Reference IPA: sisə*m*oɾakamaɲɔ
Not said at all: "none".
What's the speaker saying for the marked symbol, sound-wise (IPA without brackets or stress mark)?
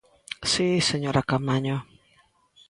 ɲ